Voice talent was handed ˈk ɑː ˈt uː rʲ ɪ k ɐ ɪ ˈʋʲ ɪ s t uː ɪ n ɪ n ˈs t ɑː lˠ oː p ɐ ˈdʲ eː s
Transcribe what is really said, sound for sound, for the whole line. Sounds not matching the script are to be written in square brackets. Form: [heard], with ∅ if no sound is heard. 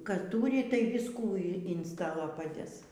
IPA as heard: ˈk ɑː ˈt uː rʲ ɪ [t] ɐ ɪ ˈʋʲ ɪ s [k] uː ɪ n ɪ n ˈs t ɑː lˠ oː p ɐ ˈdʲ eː s